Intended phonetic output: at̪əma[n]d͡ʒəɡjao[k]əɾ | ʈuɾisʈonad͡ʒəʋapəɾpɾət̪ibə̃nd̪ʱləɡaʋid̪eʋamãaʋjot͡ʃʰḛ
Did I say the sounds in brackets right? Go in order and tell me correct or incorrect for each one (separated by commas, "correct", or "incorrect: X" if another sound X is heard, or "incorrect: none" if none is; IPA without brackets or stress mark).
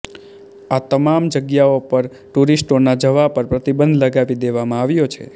incorrect: m, incorrect: p